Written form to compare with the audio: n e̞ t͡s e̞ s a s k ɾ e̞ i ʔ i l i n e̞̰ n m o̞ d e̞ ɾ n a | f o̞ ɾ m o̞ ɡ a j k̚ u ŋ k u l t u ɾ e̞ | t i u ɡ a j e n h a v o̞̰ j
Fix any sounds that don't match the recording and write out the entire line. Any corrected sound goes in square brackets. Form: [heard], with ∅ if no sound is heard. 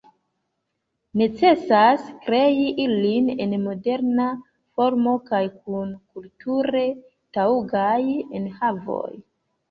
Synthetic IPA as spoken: n e̞ t͡s e̞ s a s k ɾ e̞ i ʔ i l i n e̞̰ n m o̞ d e̞ ɾ n a | f o̞ ɾ m o̞ [k] a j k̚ u [n] k u l t u ɾ e̞ | t [a] u ɡ a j e n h a v o̞̰ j